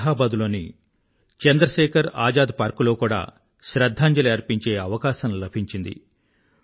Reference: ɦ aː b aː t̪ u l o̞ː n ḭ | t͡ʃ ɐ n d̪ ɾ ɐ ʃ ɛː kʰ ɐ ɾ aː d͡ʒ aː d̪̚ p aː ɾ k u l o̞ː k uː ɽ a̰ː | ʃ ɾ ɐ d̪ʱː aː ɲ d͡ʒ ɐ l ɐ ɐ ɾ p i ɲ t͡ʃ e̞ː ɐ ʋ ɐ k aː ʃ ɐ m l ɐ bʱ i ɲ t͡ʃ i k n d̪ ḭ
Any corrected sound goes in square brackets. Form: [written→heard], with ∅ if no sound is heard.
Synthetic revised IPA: ɦ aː b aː [t̪→d̪] u l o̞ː n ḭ | t͡ʃ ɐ n d̪ ɾ ɐ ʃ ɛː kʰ ɐ ɾ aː d͡ʒ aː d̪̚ p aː ɾ k u l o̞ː k uː ɽ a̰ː | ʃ ɾ ɐ d̪ʱː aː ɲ d͡ʒ ɐ l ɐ ɐ ɾ p i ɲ t͡ʃ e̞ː ɐ ʋ ɐ k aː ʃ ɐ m l ɐ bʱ i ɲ t͡ʃ i [k→∅] n d̪ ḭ